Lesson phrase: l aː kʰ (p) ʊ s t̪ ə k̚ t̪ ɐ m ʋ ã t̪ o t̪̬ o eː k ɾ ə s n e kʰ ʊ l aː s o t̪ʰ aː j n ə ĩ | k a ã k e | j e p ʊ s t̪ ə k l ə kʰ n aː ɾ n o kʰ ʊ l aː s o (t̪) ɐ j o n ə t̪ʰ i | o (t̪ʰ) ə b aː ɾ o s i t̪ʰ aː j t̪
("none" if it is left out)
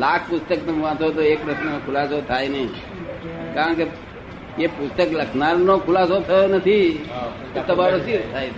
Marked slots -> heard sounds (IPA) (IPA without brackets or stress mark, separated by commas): p, t̪ʰ, t̪